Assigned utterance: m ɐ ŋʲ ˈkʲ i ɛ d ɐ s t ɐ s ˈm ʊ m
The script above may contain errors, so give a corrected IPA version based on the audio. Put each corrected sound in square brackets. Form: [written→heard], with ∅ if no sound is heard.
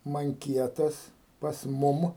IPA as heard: m ɐ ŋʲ ˈkʲ i ɛ [d→t] ɐ s [t→p] ɐ s ˈm ʊ m